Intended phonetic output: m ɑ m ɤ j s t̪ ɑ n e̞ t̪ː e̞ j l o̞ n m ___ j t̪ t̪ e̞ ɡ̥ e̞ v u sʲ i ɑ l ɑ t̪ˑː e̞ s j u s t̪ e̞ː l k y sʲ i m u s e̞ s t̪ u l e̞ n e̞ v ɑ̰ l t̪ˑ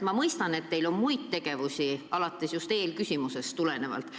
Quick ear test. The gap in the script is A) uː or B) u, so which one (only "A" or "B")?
B